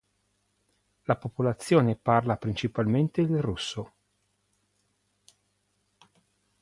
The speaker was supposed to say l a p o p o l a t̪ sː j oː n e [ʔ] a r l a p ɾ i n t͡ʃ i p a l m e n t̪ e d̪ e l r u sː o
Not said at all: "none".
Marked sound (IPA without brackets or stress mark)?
p